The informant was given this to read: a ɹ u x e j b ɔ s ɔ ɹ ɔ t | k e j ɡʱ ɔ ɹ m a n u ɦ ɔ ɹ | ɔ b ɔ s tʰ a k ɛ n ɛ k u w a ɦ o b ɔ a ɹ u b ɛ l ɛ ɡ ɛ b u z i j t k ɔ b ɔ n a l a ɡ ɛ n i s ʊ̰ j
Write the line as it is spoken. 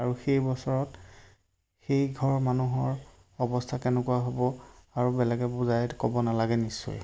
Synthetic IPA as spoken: a ɹ u x e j b ɔ s ɔ ɹ ɔ t | x e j ɡʱ ɔ ɹ m a n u ɦ ɔ ɹ | ɔ b ɔ s tʰ a k ɛ n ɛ k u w a ɦ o b ɔ a ɹ u b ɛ l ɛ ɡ ɛ b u z a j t k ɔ b ɔ n a l a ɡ ɛ n i s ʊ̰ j